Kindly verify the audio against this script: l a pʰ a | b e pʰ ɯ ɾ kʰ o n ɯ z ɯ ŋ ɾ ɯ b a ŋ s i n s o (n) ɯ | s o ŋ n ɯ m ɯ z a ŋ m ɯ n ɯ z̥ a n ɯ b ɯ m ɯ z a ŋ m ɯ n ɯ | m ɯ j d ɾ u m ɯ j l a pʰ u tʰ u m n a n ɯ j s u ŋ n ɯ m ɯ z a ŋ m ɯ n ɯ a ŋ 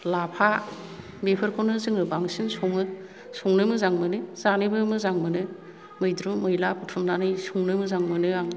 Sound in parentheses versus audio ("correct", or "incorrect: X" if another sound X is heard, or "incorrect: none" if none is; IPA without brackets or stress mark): incorrect: ŋ